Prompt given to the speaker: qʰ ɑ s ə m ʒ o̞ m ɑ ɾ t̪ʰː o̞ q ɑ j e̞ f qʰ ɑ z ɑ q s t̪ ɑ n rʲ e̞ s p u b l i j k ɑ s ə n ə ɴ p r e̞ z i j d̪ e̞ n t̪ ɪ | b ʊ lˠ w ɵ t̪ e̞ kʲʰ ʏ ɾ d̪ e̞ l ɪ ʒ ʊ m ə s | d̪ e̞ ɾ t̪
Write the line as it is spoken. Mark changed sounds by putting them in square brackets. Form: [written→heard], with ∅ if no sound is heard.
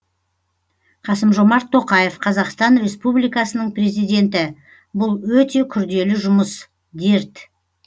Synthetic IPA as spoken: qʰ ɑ s ə m ʒ o̞ m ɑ ɾ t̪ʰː o̞ q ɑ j e̞ f qʰ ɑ z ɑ q s t̪ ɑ n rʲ e̞ s p u b l i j k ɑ s ə n ə ɴ p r e̞ z i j d̪ e̞ n t̪ ɪ | b ʊ lˠ w ɵ t̪ e̞ kʲʰ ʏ ɾ d̪ e̞ l ɪ ʒ ʊ m ə s | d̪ e̞ ɾ t̪